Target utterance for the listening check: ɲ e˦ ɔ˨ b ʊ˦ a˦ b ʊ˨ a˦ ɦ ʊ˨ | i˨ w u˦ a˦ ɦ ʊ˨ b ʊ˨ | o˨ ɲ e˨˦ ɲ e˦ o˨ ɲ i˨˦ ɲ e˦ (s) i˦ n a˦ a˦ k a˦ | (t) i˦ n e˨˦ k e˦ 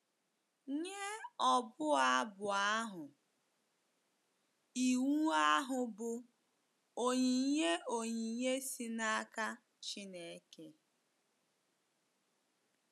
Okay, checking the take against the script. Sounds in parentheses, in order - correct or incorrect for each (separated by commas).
correct, incorrect